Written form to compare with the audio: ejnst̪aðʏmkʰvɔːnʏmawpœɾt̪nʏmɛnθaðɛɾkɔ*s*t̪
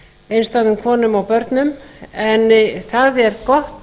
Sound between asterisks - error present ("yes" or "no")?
yes